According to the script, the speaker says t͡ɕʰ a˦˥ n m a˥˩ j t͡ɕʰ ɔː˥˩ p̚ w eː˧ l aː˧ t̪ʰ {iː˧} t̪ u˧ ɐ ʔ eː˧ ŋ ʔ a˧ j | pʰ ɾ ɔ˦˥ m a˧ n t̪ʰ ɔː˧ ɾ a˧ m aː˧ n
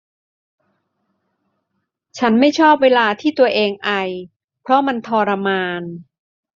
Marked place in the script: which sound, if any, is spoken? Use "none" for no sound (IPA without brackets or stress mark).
iː˥˩